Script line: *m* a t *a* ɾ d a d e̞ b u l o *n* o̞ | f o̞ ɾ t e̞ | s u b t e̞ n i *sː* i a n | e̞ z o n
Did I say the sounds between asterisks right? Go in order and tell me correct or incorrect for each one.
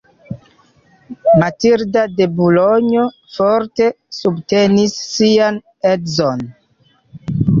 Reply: correct, incorrect: i, incorrect: ɲ, correct

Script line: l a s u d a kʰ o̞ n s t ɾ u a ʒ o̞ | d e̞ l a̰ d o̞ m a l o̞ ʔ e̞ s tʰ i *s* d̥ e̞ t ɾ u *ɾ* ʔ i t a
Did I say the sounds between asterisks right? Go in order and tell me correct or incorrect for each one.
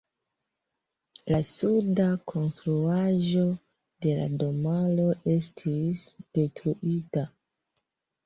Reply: correct, incorrect: none

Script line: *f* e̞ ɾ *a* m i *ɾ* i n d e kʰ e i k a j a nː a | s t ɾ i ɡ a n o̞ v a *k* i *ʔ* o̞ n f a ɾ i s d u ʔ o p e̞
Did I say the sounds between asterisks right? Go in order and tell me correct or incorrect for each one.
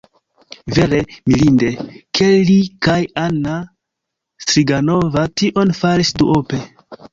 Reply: incorrect: v, incorrect: e, incorrect: l, incorrect: t, correct

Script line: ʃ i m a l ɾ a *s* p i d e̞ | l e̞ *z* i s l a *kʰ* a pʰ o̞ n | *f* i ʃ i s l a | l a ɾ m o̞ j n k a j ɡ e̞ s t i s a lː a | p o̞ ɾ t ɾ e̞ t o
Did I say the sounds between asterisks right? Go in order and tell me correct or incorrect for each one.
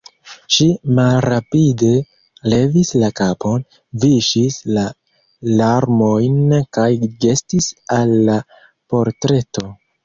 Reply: incorrect: none, incorrect: v, incorrect: k, incorrect: v

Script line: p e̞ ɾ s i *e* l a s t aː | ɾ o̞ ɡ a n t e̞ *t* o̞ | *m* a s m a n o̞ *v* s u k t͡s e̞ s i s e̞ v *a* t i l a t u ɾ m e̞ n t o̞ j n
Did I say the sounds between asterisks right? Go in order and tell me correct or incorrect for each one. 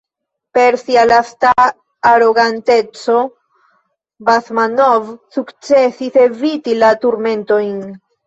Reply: incorrect: a, incorrect: t͡s, incorrect: b, correct, incorrect: i

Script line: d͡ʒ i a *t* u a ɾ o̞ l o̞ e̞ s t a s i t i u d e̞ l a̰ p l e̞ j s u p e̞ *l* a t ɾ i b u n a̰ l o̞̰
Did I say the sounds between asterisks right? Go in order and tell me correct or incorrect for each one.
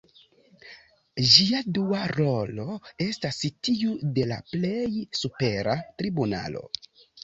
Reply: incorrect: d, incorrect: ɾ

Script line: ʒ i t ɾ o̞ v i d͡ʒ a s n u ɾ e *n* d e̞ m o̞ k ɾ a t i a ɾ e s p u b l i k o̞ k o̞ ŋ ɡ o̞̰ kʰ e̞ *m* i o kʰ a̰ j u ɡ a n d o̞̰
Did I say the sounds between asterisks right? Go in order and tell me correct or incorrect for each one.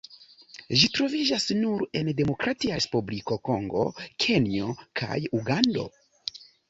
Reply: correct, incorrect: n

